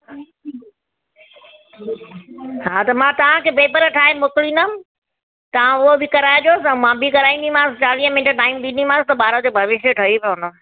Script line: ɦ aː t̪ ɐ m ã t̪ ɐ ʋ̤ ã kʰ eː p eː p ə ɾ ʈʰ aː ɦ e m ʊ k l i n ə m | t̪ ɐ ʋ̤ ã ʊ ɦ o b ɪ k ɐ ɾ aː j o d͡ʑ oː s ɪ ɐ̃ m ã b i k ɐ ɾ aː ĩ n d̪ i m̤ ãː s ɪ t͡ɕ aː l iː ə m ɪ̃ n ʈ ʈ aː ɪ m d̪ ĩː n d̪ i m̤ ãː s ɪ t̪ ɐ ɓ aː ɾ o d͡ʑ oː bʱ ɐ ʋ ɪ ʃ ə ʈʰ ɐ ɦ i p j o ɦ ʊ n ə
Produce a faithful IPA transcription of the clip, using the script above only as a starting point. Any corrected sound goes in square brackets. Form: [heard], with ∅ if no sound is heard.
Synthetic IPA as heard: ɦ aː t̪ ɐ m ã t̪ ɐ ʋ̤ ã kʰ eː p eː p ə ɾ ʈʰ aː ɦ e m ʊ k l i n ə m | t̪ ɐ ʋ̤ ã ʊ ɦ o b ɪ k ɐ ɾ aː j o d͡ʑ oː s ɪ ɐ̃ m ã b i k ɐ ɾ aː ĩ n d̪ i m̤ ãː s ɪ t͡ɕ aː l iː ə m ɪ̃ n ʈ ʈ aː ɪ m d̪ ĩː n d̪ i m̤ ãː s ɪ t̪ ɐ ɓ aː ɾ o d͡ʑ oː bʱ ɐ ʋ ɪ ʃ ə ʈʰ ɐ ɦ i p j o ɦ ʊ n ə

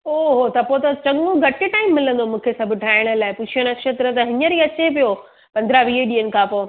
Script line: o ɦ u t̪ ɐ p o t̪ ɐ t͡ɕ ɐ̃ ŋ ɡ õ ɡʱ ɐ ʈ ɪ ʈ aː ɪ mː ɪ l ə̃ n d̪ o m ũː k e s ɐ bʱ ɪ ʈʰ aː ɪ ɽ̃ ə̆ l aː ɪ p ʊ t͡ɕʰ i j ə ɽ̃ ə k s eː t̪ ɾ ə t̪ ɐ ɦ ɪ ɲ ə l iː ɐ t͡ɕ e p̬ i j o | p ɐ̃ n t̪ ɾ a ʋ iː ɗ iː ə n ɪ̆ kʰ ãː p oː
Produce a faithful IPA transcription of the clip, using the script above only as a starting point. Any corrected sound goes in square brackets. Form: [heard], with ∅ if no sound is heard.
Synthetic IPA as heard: o ɦ [o] t̪ ɐ p o t̪ ɐ t͡ɕ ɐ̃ ŋ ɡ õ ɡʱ ɐ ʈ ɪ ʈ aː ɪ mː ɪ l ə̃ n d̪ o m ũː [kʰ] e s ɐ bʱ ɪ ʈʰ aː ɪ ɽ̃ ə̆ l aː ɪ p ʊ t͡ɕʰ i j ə ɽ̃ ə k [ʃ] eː t̪ ɾ ə t̪ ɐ ɦ ɪ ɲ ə [ɾ] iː ɐ t͡ɕ e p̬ i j o | p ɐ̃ n [d̪] ɾ a ʋ iː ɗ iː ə n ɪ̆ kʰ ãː p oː

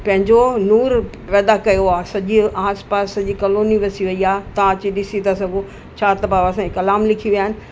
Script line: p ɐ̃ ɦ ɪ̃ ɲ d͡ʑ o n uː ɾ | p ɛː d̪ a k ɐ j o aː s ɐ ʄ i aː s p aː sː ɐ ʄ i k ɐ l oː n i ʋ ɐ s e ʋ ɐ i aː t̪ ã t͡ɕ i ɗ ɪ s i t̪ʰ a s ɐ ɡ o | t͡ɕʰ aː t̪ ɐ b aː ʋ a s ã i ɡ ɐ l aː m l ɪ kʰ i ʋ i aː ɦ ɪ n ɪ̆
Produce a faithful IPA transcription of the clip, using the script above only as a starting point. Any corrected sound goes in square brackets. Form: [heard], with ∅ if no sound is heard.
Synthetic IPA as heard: p ɐ̃ ɦ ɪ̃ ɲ d͡ʑ o n uː ɾ | p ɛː d̪ a k ɐ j o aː s ɐ ʄ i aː s p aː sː ɐ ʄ i k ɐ l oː n i ʋ ɐ s [i] ʋ ɐ i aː t̪ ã t͡ɕ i ɗ ɪ s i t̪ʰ a s ɐ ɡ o | t͡ɕʰ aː t̪ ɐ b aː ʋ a s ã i [k] ɐ l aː m l ɪ kʰ i ʋ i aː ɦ ɪ n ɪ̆

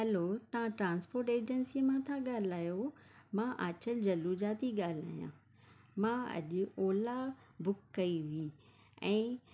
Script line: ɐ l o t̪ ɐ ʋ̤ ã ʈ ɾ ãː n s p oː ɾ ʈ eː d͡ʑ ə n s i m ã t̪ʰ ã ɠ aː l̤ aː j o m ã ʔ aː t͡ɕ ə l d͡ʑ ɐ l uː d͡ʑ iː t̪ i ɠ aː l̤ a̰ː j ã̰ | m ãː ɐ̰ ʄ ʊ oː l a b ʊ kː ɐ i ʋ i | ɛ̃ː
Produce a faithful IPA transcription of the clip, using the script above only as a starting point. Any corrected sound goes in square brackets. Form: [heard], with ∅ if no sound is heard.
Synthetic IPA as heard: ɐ l o t̪ ɐ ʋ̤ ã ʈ ɾ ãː n s p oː ɾ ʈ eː d͡ʑ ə n s i m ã t̪ʰ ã ɠ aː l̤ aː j o m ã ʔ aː t͡ɕ ə l d͡ʑ ɐ l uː d͡ʑ [aː] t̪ i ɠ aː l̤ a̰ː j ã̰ | m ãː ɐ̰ ʄ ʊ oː l a b ʊ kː ɐ i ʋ i | ɛ̃ː

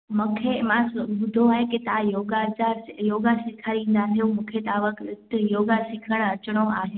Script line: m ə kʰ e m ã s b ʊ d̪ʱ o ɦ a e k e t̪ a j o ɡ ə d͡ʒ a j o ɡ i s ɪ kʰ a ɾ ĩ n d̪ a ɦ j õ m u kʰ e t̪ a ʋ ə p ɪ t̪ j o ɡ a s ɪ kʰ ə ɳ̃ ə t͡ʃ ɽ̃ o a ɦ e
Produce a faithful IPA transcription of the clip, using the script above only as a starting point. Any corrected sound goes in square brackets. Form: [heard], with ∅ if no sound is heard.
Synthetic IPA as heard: m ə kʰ e m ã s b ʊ d̪ʱ o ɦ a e k e t̪ a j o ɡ [a] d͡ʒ a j o ɡ [a] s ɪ kʰ a ɾ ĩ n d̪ a ɦ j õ m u kʰ e t̪ a ʋ ə [k] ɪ t̪ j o ɡ a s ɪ kʰ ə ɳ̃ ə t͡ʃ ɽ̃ o a ɦ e

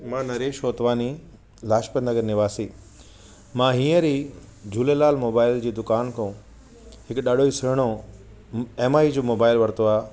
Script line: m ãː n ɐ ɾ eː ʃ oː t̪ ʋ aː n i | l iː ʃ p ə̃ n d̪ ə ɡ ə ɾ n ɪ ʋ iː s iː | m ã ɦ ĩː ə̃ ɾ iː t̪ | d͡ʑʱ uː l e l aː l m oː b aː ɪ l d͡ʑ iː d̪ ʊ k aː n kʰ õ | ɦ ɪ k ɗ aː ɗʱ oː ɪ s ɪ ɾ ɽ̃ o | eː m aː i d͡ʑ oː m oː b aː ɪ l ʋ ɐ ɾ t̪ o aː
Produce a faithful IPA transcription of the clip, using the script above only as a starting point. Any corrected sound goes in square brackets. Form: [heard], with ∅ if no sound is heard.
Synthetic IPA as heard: m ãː n ɐ ɾ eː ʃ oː t̪ ʋ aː n i | l [aː] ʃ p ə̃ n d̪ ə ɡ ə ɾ n ɪ ʋ [aː] s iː | m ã ɦ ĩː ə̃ ɾ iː [∅] | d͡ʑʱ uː l e l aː l m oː b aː ɪ l d͡ʑ iː d̪ ʊ k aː n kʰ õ | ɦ ɪ k ɗ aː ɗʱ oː [i] s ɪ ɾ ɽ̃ o | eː m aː i d͡ʑ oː m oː b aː ɪ l ʋ ɐ ɾ t̪ o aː

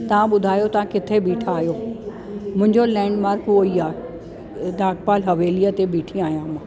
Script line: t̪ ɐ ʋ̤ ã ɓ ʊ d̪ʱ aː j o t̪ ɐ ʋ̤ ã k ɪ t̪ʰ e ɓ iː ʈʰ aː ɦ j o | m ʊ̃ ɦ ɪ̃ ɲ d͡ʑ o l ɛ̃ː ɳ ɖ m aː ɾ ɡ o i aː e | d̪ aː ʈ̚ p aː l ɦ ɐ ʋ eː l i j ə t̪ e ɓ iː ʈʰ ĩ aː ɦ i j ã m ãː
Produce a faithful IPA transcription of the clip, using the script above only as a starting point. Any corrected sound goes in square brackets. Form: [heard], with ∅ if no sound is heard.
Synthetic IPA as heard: t̪ ɐ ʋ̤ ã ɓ ʊ d̪ʱ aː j o t̪ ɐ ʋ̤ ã k ɪ t̪ʰ e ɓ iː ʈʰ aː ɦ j o | m ʊ̃ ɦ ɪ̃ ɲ d͡ʑ o l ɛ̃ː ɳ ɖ m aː ɾ [k] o i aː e | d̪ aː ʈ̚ p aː l ɦ ɐ ʋ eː l i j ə t̪ e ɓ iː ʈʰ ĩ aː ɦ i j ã m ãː

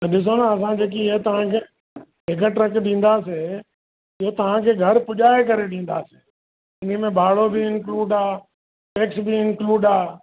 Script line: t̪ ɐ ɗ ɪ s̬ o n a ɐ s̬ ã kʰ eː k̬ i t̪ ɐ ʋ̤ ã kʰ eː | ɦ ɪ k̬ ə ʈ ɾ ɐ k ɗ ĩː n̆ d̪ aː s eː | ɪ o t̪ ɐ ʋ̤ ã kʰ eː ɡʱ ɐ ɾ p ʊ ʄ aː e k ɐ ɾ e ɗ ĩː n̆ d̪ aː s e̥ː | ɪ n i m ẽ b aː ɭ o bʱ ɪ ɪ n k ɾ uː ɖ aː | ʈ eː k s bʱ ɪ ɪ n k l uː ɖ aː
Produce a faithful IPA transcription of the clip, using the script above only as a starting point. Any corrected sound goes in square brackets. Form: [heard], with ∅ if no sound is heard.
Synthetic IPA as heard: t̪ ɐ ɗ ɪ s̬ o n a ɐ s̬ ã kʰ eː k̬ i t̪ ɐ ʋ̤ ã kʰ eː | ɦ ɪ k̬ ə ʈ ɾ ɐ k ɗ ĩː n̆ d̪ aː s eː | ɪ o t̪ ɐ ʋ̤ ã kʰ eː ɡʱ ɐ ɾ p ʊ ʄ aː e k ɐ ɾ e ɗ ĩː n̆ d̪ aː s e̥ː | ɪ n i m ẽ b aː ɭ o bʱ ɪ ɪ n k [l] uː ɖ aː | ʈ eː k s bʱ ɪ ɪ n k l uː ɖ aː

